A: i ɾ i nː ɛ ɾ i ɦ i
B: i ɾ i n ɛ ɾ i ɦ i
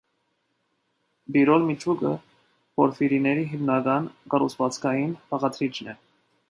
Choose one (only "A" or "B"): B